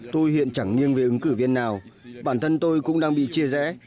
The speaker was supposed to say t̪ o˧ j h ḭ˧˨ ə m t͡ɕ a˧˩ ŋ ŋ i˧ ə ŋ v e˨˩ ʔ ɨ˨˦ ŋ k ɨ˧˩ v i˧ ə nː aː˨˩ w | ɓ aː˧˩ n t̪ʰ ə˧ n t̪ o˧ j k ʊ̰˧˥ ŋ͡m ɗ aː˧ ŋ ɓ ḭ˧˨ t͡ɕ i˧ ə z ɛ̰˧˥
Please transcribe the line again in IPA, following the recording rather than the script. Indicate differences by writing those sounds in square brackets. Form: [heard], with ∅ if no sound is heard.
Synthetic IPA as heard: t̪ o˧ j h ḭ˧˨ ə [n] t͡ɕ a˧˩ ŋ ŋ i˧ ə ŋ v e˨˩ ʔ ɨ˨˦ ŋ k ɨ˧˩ v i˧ ə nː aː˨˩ w | ɓ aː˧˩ n t̪ʰ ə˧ n t̪ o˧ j k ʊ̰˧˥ ŋ͡m ɗ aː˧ ŋ ɓ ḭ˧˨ t͡ɕ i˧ ə z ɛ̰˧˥

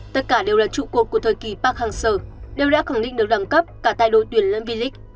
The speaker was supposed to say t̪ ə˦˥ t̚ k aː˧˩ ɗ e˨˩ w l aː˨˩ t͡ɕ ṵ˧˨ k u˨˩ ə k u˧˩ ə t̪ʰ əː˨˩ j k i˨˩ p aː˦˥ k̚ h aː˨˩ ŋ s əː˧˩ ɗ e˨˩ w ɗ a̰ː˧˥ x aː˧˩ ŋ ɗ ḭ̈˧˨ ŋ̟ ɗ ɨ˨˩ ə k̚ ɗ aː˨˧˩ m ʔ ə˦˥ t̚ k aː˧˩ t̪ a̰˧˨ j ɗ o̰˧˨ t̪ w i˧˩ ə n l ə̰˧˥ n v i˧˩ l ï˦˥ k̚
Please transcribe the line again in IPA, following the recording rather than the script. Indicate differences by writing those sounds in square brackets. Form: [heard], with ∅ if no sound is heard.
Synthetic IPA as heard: t̪ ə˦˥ t̚ k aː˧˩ ɗ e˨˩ w l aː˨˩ t͡ɕ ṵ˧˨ k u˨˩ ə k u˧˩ ə t̪ʰ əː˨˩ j k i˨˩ p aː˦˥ k̚ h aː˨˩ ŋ s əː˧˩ ɗ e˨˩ w ɗ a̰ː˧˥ x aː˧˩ ŋ ɗ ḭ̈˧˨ ŋ̟ ɗ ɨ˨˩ ə k̚ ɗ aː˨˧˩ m [k] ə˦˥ [p̚] k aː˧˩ t̪ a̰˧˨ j ɗ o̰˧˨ t̪ w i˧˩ ə n l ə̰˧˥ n v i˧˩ l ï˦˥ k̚

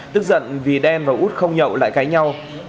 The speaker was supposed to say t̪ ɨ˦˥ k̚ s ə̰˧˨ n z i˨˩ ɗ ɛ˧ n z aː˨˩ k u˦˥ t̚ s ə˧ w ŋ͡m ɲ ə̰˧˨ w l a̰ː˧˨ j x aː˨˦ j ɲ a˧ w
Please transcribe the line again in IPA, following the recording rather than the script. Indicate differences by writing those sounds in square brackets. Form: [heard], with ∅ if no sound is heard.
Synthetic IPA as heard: t̪ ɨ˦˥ k̚ [z] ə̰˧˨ n [v] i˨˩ ɗ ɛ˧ n [v] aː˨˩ [ʔ] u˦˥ t̚ [x] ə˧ w ŋ͡m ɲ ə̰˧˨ w l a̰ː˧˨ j [k] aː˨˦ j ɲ a˧ w

